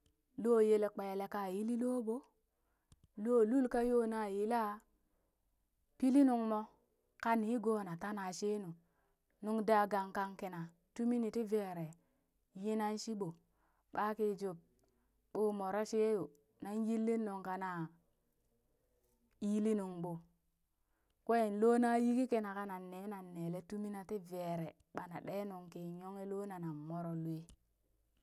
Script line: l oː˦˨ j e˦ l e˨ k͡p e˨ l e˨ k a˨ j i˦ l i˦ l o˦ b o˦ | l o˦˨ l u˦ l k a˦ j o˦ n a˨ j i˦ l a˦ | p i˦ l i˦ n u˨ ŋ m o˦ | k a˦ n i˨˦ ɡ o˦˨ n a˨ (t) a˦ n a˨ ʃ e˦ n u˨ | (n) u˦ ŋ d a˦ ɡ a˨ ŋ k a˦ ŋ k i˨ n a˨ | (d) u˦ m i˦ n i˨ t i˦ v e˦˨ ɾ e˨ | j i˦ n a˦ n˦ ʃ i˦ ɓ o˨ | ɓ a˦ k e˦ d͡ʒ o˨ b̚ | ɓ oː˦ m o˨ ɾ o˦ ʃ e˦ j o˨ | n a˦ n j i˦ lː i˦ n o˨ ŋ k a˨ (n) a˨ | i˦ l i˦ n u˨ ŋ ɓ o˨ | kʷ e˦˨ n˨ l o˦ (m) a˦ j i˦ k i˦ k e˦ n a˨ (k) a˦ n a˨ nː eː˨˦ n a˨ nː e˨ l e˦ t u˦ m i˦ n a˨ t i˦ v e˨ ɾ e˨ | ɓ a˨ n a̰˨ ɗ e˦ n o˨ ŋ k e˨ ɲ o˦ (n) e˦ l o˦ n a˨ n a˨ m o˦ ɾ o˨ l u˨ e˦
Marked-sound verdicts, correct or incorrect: correct, correct, incorrect: t, correct, incorrect: n, correct, incorrect: ŋ

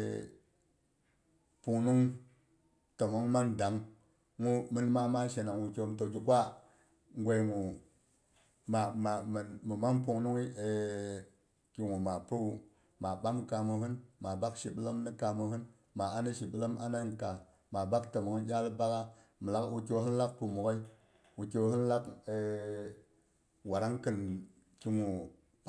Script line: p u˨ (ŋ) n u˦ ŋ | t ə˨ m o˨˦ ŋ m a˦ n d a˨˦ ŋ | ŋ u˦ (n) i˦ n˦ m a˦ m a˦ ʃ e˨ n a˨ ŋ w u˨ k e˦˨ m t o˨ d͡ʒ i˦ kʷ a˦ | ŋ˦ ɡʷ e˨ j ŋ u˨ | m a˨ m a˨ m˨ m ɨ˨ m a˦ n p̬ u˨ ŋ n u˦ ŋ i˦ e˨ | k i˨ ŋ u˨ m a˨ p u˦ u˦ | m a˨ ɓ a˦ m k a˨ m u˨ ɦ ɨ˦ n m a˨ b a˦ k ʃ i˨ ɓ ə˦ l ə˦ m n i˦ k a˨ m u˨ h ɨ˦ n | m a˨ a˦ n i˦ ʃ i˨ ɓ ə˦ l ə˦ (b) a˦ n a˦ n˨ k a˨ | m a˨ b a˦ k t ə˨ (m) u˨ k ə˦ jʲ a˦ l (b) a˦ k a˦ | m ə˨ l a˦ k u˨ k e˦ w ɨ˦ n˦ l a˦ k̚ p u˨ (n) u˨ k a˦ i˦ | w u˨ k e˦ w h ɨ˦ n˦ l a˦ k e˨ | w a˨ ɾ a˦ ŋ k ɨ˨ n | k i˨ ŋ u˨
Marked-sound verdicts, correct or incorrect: correct, incorrect: m, incorrect: m, correct, correct, incorrect: m

